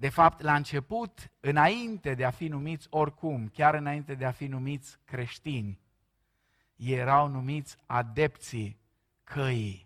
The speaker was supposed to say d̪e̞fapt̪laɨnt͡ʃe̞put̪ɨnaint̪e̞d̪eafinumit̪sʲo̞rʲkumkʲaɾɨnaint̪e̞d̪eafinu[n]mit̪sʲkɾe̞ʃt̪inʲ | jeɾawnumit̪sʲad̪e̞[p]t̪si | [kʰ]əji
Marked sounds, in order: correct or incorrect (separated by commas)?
incorrect, correct, correct